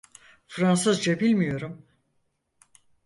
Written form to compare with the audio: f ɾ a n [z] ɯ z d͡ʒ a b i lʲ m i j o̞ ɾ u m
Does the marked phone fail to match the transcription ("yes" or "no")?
yes